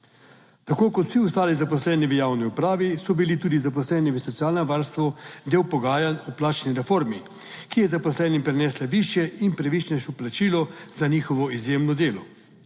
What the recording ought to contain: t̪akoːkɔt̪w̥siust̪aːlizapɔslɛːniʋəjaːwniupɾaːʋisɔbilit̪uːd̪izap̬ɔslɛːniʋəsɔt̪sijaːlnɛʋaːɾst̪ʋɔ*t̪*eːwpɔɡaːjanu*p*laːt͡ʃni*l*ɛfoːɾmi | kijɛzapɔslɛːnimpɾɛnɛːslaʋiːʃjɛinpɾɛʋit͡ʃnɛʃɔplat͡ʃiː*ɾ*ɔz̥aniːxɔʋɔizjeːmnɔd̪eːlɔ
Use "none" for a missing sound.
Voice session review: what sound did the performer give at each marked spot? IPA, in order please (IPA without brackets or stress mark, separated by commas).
d̪, p, ɾ, l